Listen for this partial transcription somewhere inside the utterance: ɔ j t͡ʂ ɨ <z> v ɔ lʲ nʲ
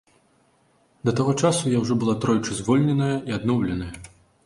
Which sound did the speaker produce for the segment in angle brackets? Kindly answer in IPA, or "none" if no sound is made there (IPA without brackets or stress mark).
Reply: z